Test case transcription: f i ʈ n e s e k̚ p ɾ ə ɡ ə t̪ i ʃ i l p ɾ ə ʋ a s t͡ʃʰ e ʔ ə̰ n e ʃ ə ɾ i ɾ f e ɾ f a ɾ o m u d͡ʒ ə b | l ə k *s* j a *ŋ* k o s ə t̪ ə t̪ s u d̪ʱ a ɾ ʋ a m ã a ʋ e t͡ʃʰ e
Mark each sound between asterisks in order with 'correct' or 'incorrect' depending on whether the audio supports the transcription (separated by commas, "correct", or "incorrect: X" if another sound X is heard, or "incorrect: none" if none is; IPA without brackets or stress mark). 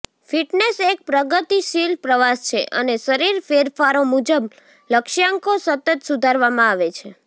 incorrect: ʃ, correct